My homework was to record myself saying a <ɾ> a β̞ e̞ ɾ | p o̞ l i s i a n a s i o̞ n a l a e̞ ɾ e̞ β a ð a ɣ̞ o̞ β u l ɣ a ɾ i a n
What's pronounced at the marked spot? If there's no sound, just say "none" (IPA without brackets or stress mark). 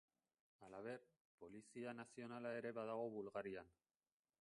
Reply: l